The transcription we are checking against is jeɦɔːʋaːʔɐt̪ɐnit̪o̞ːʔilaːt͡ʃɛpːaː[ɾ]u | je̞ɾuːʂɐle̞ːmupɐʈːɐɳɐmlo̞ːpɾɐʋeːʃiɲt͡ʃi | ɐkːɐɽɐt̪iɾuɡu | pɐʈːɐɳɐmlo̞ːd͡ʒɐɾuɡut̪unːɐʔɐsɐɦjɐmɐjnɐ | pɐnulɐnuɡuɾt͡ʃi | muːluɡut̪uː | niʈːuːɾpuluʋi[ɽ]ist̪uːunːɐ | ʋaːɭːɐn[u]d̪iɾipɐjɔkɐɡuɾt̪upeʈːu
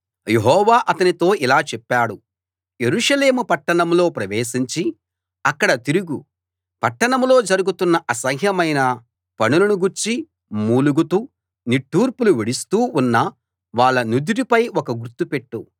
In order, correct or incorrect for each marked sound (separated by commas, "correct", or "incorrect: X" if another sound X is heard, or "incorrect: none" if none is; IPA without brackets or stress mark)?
incorrect: ɽ, correct, correct